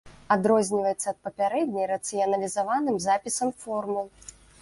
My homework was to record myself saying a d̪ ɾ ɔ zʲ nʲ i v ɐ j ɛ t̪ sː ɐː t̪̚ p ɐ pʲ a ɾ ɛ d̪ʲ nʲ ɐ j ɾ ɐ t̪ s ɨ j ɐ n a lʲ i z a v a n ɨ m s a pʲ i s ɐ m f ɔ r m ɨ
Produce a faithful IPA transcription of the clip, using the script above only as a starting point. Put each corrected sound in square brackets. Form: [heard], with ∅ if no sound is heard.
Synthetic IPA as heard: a d̪ ɾ ɔ zʲ nʲ i v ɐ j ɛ t̪ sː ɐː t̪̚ p ɐ pʲ a ɾ ɛ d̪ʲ nʲ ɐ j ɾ ɐ t̪ s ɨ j ɐ n [ɐ] lʲ i z a v a n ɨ m [z] a pʲ i s ɐ m f ɔ r m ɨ